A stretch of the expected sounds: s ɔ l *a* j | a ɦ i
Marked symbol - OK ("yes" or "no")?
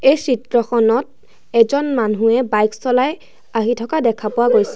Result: yes